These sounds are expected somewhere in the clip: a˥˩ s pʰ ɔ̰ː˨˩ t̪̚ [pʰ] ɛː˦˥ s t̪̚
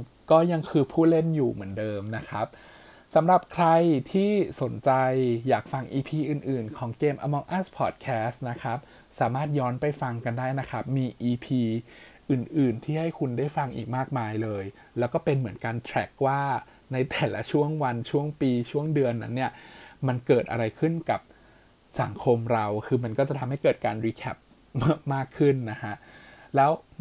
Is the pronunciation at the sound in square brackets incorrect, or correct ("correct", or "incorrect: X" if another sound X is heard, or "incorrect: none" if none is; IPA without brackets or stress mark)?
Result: incorrect: kʰ